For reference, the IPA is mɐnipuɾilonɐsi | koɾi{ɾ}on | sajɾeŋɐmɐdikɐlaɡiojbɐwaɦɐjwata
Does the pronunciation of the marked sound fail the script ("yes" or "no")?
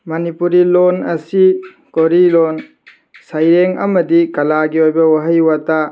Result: yes